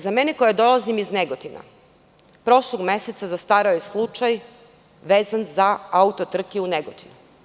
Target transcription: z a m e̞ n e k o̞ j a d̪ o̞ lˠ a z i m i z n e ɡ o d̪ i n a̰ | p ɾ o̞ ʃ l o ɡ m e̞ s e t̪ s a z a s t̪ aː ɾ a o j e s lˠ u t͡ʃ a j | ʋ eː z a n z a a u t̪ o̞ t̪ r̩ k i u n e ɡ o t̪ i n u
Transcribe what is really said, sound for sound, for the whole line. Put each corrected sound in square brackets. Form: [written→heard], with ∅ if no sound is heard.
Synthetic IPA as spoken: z a m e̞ n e k o̞ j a d̪ o̞ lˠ a z i m i z n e ɡ o [d̪→t̪] i n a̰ | p ɾ o̞ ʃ l o ɡ m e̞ s e t̪ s a z a s t̪ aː ɾ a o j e s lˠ u t͡ʃ a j | ʋ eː z a n z a a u t̪ o̞ t̪ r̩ k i u n e ɡ o t̪ i n u